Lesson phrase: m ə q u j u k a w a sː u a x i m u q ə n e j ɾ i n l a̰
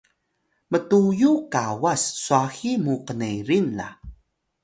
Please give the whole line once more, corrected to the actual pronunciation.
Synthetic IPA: m ə t u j u k a w a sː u a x i m u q ə n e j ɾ i n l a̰